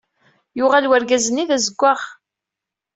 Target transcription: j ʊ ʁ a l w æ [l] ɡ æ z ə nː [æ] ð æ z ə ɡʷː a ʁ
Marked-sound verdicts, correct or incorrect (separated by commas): incorrect, incorrect